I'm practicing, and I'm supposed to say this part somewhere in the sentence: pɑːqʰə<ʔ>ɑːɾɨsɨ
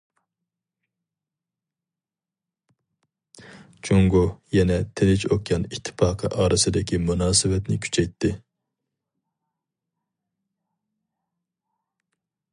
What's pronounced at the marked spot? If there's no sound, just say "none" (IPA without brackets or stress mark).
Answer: ʔ